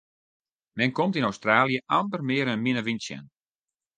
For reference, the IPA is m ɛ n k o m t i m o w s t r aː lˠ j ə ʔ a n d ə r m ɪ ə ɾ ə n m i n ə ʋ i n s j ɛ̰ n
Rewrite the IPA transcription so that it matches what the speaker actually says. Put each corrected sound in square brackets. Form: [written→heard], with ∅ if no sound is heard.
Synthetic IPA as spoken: m ɛ n k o m t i [m→n] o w s t r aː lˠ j ə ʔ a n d ə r m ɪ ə ɾ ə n m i n ə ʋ i n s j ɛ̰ n